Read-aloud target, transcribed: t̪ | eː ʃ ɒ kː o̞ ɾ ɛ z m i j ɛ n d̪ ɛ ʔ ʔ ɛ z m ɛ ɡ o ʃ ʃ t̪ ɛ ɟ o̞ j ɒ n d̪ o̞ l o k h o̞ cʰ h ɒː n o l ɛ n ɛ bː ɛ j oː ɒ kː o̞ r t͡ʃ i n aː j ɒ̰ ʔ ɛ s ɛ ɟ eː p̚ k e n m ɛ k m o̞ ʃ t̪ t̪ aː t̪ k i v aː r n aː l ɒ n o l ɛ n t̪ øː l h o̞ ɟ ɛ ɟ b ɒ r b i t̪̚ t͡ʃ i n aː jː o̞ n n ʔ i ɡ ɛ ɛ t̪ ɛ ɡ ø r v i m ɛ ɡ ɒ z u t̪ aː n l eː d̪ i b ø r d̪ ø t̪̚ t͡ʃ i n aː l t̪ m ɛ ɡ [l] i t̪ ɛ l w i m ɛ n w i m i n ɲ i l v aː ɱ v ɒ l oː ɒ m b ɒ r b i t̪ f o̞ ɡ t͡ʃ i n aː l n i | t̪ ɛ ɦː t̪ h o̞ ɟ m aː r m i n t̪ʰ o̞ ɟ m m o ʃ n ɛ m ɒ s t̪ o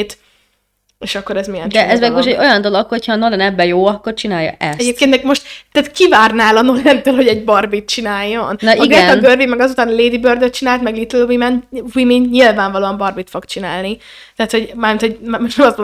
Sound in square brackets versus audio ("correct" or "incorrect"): correct